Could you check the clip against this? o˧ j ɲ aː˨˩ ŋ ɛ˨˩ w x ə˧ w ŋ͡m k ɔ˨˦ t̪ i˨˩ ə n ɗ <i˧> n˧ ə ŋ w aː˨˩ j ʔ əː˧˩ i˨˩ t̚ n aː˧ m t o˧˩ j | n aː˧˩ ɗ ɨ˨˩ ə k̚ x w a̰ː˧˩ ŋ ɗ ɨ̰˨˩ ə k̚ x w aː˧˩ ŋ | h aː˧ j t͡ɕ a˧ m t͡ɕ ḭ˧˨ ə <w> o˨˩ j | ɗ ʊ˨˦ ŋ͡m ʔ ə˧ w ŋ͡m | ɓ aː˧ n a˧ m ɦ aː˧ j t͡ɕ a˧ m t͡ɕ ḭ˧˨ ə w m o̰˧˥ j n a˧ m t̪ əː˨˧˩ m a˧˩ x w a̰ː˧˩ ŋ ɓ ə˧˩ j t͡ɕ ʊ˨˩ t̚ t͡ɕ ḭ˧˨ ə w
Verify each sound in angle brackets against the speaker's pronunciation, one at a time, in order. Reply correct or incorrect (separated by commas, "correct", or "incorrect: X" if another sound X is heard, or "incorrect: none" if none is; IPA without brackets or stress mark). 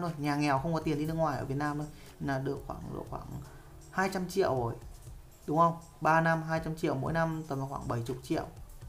correct, correct